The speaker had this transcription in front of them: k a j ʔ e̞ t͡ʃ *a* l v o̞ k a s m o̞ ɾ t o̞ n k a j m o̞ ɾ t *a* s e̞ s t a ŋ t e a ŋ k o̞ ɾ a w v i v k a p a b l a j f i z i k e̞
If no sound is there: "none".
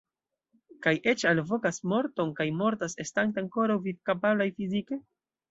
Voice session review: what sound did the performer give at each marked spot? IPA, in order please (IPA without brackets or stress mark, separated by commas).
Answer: a, a